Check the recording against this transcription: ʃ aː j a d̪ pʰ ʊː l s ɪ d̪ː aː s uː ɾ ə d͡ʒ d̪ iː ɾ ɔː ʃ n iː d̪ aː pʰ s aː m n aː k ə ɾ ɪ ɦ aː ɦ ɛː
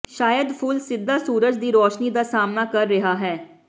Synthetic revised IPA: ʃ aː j ə d̪ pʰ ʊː l s ɪ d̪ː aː s uː ɾ ə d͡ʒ d̪ iː ɾ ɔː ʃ n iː d̪ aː s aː m n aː k ə ɾː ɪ ɦ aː ɦ ɛː